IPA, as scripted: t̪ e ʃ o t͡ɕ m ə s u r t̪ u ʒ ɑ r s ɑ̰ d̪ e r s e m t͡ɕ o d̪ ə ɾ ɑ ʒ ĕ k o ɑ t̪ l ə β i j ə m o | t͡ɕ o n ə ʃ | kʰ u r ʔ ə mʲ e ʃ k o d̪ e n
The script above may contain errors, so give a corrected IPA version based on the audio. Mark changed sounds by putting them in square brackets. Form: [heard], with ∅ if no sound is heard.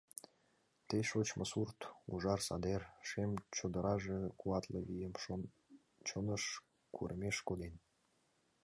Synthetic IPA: t̪ e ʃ o t͡ɕ m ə s u r t̪ u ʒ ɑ r s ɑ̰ d̪ e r [ʃ] e m t͡ɕ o d̪ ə ɾ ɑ ʒ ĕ k [u] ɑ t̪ l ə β i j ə m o | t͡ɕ o n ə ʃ | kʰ u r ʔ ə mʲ e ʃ k o d̪ e n